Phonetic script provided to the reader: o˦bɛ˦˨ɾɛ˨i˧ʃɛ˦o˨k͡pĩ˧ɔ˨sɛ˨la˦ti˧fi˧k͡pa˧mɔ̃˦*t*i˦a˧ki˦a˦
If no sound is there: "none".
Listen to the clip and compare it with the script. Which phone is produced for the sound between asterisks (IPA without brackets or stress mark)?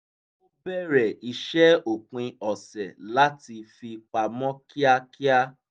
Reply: k